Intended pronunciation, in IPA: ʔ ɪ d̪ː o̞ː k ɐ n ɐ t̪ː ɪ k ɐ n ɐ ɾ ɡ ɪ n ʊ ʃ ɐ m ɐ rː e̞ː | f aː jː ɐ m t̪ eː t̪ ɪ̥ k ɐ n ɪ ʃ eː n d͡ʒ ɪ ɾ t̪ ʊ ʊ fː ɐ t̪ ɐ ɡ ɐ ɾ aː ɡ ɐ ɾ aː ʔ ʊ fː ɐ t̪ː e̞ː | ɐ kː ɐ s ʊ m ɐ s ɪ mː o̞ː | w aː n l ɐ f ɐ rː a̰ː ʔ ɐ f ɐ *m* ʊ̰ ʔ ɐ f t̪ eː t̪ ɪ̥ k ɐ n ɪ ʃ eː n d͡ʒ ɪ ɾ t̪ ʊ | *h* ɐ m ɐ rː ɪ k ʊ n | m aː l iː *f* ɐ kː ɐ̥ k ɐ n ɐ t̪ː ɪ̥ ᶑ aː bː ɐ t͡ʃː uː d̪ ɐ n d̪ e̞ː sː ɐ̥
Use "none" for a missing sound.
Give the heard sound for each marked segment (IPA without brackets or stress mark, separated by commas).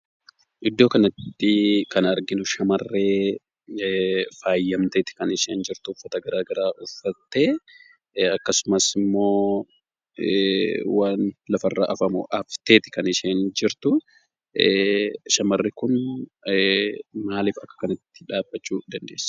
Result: m, ʃ, f